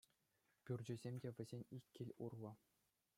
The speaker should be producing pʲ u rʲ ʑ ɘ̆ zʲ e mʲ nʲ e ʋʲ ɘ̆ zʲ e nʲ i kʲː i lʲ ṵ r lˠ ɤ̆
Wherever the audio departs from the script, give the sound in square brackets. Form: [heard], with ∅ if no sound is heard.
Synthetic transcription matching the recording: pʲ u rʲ [d͡ʑ] ɘ̆ zʲ e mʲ [dʲ] e ʋʲ ɘ̆ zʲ e nʲ i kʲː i lʲ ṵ r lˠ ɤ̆